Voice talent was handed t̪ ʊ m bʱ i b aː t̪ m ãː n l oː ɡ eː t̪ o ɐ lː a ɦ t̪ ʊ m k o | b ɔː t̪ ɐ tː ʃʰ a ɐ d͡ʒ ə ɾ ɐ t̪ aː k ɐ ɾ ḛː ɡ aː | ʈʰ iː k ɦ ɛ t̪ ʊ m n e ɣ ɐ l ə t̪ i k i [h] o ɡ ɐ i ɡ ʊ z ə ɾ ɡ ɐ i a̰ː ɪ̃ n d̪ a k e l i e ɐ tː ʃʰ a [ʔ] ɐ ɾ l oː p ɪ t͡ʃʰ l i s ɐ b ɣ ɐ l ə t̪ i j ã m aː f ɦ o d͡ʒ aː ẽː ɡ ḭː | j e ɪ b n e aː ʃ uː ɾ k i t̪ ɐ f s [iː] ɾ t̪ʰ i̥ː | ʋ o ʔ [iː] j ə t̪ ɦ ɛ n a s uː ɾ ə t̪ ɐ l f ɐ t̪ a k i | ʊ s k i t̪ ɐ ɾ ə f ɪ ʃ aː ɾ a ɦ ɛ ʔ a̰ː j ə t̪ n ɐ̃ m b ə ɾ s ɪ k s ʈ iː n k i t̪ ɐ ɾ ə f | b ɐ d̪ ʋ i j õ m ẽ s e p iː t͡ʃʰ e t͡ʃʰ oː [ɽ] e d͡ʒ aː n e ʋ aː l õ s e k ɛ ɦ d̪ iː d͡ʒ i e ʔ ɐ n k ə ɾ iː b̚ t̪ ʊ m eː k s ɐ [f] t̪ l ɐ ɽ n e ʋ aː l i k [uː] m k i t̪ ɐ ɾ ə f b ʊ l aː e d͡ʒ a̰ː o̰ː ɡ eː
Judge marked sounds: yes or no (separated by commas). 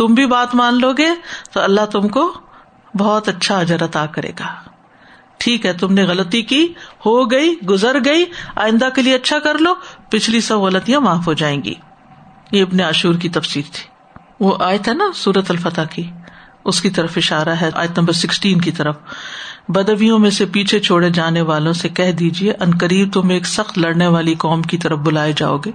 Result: yes, no, yes, no, yes, no, no